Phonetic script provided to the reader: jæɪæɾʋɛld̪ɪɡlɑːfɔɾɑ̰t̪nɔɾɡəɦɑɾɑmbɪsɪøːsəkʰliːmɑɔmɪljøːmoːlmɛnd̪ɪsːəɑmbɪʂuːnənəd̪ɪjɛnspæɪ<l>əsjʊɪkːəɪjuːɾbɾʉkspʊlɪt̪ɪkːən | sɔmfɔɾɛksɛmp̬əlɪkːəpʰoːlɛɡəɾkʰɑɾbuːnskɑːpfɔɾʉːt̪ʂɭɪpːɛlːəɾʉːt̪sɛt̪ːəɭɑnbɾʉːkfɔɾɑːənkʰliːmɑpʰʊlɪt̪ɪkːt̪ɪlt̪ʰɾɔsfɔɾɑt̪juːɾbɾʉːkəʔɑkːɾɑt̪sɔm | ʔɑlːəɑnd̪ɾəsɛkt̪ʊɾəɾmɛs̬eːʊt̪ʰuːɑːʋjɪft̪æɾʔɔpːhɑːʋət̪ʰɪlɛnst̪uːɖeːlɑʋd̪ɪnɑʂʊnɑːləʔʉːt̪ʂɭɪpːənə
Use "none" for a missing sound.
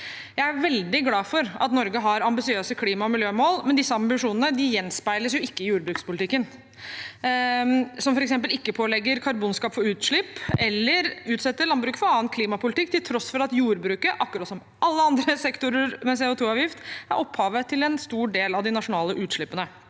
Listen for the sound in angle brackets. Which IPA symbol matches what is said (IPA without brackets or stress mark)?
l